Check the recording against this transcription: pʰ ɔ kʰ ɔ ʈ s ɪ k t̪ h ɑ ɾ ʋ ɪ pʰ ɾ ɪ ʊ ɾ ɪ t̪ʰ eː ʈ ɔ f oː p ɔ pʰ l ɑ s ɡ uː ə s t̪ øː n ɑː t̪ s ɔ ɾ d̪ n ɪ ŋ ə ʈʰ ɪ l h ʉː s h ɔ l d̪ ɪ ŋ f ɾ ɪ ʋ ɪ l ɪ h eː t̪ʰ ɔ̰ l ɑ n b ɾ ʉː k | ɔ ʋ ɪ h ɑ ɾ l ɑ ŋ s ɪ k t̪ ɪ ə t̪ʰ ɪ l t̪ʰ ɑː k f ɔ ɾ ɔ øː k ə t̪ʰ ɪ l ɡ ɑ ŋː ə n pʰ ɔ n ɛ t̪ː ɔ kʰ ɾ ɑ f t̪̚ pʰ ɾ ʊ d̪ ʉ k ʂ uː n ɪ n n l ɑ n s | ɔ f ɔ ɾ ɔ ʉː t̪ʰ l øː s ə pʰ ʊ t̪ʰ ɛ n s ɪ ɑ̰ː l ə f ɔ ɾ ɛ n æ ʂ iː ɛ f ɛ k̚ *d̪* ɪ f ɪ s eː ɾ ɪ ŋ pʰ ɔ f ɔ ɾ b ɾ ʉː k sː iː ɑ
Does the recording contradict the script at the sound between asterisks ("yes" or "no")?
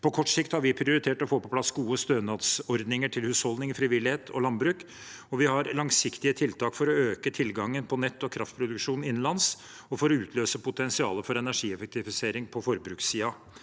yes